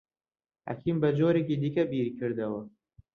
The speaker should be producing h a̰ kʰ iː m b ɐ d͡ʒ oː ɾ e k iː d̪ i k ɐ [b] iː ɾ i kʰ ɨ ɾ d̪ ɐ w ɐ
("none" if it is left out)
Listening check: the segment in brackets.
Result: b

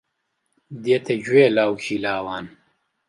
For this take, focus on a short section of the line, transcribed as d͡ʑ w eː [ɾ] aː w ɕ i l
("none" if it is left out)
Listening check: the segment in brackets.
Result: l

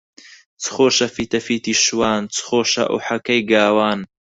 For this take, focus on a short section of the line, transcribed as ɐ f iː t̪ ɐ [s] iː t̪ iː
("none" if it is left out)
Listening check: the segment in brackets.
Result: f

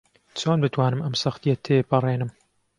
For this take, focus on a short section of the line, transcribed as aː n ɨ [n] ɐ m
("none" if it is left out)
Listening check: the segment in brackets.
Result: m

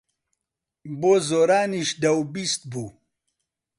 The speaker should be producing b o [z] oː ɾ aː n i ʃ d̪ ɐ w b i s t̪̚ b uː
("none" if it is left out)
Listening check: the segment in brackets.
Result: z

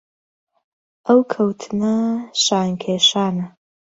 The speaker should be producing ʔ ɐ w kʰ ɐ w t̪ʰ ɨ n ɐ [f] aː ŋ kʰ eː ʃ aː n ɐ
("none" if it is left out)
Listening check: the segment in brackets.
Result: ʃ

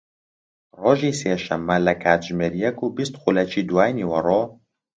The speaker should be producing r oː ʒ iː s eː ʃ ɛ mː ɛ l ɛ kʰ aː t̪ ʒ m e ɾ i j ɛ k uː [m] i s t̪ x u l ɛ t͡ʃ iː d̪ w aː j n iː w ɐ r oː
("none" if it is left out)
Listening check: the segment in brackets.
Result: b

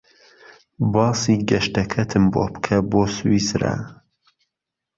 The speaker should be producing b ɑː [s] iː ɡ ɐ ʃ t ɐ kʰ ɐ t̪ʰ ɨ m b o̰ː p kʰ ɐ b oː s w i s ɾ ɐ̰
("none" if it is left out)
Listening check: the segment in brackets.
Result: s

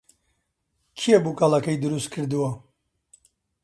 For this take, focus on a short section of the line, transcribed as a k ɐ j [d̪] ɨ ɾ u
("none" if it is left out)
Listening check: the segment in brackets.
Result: d̪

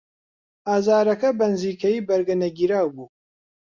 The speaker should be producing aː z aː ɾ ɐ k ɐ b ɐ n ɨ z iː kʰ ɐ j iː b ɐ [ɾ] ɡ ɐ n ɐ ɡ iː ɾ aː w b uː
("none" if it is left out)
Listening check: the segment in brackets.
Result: ɾ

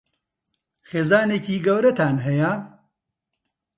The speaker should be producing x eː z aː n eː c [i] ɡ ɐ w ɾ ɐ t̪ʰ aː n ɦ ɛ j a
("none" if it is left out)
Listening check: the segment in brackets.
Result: iː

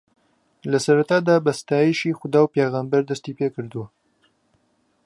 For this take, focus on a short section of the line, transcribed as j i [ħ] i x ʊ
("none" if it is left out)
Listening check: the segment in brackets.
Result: ʃ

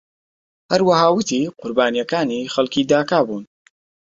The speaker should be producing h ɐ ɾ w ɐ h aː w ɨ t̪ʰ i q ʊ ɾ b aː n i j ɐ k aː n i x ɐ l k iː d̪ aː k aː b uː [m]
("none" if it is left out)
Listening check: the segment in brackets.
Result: n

